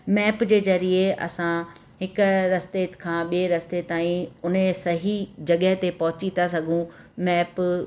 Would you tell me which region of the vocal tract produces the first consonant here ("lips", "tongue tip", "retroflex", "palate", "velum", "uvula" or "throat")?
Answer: lips